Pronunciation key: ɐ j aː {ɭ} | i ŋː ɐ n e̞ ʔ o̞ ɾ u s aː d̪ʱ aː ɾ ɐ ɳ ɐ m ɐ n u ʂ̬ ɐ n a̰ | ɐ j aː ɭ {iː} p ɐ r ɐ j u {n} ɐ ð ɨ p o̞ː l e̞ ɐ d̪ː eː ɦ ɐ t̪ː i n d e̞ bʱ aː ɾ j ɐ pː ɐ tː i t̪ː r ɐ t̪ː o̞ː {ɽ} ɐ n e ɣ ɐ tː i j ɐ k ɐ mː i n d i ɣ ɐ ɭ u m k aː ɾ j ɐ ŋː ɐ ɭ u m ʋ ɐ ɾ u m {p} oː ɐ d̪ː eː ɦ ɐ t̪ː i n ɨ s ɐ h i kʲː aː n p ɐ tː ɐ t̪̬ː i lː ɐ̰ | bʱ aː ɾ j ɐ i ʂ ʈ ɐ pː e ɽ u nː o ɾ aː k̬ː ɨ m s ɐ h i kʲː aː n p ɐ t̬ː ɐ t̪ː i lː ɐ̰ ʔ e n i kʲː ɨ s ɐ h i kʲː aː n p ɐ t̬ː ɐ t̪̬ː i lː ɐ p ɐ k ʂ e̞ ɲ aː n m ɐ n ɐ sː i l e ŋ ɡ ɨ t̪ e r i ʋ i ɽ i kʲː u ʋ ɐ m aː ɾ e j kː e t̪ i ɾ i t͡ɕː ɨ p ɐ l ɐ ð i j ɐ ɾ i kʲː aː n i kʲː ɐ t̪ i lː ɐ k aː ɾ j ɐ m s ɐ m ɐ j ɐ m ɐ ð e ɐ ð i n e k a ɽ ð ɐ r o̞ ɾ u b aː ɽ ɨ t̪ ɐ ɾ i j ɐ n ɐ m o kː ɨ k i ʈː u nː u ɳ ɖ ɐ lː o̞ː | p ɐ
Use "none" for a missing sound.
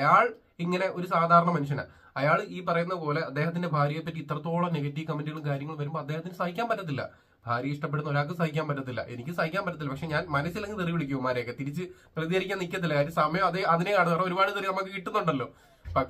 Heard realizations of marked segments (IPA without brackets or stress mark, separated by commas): ɭ, iː, nː, ɭ, b